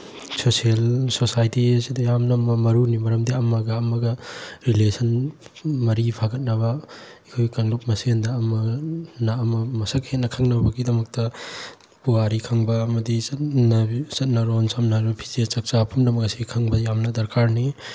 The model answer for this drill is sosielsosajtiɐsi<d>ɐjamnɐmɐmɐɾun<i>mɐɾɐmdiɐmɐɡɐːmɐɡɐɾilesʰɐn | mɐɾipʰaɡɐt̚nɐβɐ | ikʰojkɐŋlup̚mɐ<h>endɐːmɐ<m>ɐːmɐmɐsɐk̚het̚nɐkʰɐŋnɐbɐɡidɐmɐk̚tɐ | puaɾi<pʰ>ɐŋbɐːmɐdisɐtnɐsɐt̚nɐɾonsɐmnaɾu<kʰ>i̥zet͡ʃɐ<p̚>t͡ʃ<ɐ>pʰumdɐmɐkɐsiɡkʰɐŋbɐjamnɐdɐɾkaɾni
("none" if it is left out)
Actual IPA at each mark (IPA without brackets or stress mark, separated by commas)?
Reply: d, i, s, n, kʰ, pʰ, k̚, a